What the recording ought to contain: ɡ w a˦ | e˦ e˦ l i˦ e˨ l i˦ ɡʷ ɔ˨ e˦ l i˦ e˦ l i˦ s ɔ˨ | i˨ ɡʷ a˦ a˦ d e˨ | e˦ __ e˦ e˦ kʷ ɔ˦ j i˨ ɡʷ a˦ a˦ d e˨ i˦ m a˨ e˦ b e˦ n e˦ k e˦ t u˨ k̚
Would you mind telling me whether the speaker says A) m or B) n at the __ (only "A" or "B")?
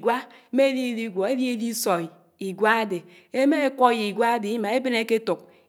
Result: A